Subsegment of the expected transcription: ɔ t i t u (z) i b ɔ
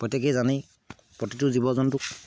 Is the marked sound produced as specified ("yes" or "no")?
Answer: yes